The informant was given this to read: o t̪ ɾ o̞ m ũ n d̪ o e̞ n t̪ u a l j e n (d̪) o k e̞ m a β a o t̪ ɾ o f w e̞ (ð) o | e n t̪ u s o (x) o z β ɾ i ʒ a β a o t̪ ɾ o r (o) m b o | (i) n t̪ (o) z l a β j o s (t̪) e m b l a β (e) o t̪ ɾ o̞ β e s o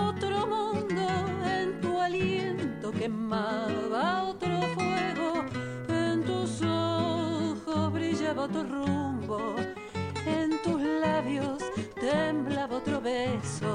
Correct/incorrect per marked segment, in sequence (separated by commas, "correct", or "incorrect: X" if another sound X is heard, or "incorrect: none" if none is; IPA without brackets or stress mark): incorrect: t̪, incorrect: ɣ, correct, incorrect: u, incorrect: e, incorrect: u, correct, incorrect: a